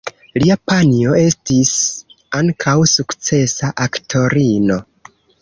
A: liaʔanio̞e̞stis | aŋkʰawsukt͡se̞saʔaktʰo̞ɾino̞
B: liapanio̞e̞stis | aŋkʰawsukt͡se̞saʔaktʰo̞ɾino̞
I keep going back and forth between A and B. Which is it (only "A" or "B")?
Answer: B